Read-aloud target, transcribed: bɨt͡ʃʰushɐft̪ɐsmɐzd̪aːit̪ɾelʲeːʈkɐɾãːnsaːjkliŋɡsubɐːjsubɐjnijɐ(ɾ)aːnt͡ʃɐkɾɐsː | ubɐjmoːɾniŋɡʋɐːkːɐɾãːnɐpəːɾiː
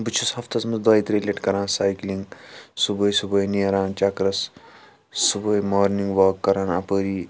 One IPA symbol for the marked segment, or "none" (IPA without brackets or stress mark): ɾ